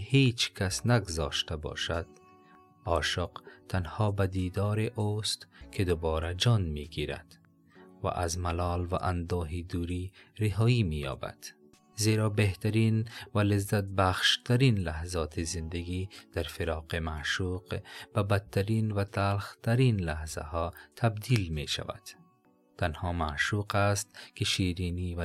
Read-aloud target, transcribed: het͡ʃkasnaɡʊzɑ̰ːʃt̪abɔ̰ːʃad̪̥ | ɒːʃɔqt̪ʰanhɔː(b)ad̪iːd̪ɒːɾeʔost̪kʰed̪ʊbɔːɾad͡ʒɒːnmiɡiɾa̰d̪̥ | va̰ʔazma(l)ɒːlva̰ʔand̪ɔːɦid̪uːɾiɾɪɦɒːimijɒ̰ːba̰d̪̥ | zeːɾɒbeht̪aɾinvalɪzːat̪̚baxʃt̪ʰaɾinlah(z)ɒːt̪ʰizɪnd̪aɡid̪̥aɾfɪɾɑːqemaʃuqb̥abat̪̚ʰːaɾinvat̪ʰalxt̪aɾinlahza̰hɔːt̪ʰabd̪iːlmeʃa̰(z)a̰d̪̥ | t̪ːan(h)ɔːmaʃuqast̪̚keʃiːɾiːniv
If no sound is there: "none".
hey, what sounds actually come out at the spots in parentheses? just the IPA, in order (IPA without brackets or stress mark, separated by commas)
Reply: b, l, z, v, h